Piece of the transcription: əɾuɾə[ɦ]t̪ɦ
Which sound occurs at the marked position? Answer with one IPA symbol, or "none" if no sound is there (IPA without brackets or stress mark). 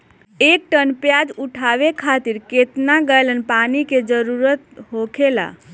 none